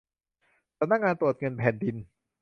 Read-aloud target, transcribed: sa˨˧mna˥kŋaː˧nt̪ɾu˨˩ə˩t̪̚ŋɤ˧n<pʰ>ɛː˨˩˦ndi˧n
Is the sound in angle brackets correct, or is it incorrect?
correct